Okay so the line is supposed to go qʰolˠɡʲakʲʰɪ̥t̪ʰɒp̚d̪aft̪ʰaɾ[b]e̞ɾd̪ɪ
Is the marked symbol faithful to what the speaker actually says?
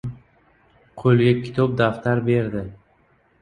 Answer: yes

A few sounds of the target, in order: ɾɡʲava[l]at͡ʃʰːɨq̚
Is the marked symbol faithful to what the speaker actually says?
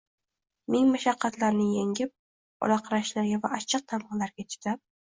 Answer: no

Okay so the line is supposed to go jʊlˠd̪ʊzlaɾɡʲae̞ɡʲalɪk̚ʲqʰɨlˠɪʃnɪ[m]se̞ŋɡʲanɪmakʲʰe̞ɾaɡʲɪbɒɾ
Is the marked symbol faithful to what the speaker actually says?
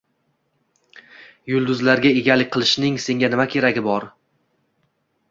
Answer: no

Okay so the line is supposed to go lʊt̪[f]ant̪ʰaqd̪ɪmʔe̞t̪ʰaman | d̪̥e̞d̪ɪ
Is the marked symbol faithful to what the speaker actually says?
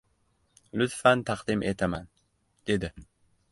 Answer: yes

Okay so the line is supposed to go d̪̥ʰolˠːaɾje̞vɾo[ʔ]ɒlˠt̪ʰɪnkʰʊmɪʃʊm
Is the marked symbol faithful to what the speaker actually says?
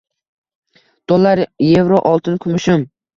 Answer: yes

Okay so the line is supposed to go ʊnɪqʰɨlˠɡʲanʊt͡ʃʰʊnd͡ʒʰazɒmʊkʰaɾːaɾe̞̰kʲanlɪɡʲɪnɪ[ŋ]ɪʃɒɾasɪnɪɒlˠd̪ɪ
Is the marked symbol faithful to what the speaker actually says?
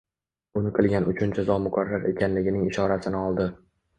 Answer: yes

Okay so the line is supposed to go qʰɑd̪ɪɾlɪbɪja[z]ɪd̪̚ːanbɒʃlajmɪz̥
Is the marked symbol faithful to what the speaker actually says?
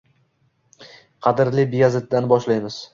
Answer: yes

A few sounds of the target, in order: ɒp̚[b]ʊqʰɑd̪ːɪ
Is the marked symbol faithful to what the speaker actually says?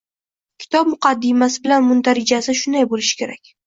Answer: no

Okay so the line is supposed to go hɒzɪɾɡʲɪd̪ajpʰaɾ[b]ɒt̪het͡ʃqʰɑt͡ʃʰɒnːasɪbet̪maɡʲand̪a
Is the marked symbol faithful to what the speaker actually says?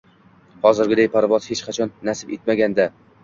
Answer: no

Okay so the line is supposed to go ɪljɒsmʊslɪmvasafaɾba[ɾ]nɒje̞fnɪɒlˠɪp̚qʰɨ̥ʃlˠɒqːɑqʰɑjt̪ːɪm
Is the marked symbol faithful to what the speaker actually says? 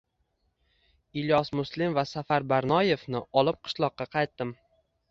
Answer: yes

